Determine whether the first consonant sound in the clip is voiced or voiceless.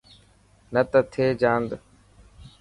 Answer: voiced